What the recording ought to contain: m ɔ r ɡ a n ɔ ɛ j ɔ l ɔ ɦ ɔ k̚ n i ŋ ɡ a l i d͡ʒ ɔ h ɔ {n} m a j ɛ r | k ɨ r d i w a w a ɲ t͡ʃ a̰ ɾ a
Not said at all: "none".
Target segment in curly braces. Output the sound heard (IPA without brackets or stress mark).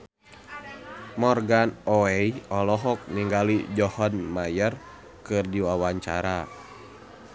n